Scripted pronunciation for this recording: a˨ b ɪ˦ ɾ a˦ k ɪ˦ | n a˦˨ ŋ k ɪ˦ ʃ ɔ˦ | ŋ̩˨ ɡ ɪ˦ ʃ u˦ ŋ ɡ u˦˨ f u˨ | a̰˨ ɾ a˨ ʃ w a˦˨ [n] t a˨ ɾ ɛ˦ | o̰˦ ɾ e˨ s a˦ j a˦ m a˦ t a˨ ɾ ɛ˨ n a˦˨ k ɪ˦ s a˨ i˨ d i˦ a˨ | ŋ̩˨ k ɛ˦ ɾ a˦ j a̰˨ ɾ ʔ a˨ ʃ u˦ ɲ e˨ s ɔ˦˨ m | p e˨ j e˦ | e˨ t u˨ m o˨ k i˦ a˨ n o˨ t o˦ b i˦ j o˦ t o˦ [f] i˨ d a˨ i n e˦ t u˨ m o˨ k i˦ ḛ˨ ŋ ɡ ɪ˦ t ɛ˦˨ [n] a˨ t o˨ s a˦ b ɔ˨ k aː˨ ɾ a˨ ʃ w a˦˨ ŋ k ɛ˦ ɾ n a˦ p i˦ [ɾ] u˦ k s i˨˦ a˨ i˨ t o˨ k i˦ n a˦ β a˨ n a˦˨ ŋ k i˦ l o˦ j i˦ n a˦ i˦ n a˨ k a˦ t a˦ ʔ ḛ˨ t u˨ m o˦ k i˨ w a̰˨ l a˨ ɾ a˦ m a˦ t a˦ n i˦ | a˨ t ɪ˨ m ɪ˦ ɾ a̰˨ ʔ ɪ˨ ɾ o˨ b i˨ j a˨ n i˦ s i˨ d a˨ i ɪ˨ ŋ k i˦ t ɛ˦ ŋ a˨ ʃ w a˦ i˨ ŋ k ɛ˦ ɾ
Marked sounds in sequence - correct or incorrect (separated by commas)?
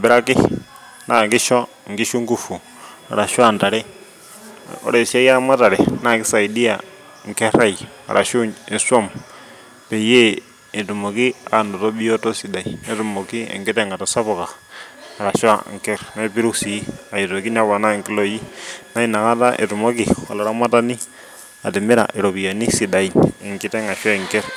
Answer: correct, incorrect, incorrect, correct